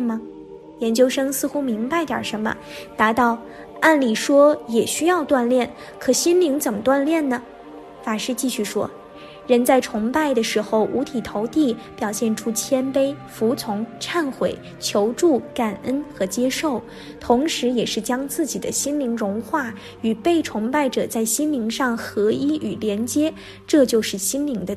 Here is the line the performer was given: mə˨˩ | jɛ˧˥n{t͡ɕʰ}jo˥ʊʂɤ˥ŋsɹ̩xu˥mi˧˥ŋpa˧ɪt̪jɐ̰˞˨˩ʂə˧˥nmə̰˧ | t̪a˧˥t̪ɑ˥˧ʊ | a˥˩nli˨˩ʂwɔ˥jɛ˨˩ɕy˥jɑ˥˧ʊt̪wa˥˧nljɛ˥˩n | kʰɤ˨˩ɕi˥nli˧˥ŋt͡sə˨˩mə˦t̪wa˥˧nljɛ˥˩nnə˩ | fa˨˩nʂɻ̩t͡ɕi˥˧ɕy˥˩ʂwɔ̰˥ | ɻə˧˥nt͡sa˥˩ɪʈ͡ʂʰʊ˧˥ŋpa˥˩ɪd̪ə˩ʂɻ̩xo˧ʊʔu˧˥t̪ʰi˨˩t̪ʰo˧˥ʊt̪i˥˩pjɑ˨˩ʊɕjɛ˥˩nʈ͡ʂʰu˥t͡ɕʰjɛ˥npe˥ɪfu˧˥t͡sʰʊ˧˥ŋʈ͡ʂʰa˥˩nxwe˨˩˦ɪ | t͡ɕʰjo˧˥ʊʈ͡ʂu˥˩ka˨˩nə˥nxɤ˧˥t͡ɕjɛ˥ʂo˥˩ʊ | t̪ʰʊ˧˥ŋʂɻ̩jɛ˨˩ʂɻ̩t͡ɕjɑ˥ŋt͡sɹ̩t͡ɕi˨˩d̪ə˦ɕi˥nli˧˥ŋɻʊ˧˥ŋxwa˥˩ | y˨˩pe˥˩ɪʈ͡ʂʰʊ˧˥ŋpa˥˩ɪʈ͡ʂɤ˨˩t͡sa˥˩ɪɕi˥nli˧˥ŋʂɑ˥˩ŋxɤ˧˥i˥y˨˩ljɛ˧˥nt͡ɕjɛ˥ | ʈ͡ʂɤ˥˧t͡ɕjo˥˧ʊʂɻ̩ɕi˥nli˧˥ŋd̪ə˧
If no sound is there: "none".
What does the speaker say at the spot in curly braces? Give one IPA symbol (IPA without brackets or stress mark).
t͡ɕ